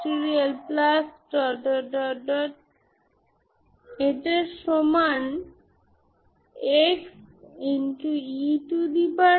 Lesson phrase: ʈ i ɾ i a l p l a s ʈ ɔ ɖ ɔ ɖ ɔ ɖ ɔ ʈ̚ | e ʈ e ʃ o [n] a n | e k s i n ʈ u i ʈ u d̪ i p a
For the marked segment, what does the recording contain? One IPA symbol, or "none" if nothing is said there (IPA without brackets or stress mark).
m